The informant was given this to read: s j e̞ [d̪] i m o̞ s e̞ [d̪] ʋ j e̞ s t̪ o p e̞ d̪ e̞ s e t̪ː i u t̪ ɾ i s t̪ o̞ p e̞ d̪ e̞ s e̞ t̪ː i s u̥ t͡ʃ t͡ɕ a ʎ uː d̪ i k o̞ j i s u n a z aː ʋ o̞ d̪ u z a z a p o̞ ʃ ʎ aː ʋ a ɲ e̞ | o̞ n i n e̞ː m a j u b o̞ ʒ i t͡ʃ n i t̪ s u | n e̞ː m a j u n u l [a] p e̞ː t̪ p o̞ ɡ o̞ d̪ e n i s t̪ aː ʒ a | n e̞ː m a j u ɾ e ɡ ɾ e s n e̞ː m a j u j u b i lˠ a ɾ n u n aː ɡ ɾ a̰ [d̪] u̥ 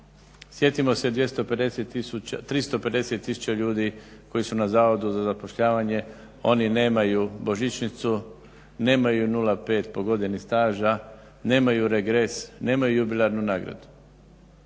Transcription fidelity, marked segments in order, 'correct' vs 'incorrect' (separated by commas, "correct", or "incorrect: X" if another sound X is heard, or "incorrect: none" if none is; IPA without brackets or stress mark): incorrect: t̪, correct, correct, correct